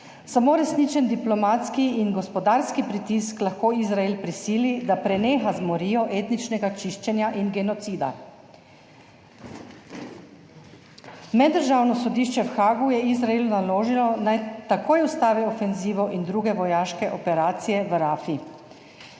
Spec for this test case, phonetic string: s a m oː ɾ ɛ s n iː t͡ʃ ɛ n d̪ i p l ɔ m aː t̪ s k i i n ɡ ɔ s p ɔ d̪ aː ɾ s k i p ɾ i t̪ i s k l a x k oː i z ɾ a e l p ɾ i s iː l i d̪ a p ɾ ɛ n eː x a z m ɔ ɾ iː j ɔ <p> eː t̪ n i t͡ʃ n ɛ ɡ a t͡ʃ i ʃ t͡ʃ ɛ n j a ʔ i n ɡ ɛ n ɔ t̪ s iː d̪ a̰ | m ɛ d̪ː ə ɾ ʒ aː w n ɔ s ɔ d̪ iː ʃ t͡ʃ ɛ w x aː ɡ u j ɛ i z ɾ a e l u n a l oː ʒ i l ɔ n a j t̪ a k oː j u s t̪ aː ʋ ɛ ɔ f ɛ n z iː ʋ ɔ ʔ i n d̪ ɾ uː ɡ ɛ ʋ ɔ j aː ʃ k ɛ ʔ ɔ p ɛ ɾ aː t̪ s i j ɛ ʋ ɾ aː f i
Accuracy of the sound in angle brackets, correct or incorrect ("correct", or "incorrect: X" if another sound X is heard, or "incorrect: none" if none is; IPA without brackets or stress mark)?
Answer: incorrect: ʔ